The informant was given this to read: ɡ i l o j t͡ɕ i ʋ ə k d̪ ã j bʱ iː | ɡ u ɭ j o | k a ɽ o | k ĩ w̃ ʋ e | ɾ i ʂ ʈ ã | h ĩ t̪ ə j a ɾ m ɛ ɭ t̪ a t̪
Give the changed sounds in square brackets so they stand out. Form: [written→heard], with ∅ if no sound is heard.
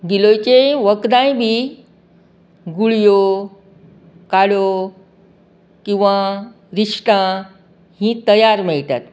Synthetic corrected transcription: ɡ i l o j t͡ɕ [i→e] ʋ ə k d̪ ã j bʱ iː | ɡ u ɭ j o | k a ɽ o | k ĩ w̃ ʋ [e→a] | ɾ i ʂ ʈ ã | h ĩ t̪ ə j a ɾ m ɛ ɭ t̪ a t̪